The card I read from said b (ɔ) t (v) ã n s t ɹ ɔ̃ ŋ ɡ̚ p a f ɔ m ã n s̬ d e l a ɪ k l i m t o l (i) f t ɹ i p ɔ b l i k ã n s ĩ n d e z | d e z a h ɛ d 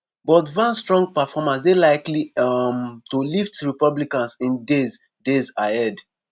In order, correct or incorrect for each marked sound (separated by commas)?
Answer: correct, correct, correct